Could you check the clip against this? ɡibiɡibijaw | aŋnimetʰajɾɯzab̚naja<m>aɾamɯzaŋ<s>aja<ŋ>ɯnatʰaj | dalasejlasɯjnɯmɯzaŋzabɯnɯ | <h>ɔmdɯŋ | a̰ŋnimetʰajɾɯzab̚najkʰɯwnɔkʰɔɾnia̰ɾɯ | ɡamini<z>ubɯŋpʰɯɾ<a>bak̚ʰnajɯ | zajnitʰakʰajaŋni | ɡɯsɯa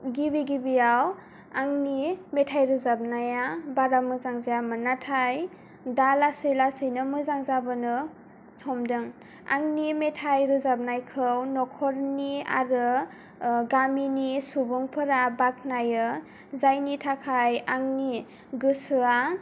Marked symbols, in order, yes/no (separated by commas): no, no, no, yes, no, yes